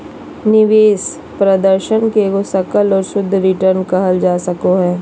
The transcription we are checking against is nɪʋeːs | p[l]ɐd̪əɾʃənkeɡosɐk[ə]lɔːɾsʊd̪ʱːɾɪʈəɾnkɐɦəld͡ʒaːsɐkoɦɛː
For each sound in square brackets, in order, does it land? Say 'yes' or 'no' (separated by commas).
no, yes